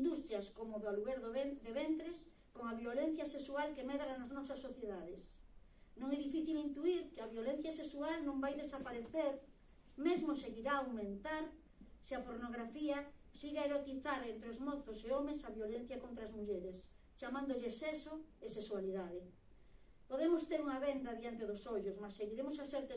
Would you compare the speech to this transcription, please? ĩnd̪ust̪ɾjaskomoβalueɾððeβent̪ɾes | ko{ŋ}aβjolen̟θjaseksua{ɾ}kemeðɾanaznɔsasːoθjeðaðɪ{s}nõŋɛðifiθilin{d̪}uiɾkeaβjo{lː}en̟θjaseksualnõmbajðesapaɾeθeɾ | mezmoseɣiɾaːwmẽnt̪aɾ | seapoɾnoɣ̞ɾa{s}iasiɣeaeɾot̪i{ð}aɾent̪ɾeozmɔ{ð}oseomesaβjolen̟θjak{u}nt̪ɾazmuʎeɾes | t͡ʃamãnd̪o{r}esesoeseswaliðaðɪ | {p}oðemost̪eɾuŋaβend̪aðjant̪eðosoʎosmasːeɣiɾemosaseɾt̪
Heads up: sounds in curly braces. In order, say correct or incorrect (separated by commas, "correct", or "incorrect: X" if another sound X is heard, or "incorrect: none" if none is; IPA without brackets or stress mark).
correct, incorrect: l, correct, incorrect: t̪, incorrect: l, incorrect: f, incorrect: θ, incorrect: θ, incorrect: o, incorrect: ʎ, correct